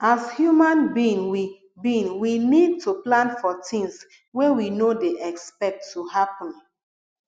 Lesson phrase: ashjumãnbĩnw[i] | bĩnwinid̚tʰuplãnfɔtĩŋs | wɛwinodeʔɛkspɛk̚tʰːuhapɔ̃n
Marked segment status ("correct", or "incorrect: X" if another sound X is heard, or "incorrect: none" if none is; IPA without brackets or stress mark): correct